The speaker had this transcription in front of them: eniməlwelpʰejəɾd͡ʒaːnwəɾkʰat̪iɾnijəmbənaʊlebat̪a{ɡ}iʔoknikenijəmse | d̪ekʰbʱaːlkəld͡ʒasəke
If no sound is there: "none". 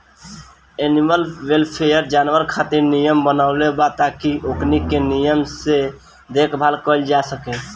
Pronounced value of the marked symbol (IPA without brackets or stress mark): k